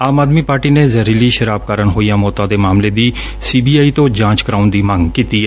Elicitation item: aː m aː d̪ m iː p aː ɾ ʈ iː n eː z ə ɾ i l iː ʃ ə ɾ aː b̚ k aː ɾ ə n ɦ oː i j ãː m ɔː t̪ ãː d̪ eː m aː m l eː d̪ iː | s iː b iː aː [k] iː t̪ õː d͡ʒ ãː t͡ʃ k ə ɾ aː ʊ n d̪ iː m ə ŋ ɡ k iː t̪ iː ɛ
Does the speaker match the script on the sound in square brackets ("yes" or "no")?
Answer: no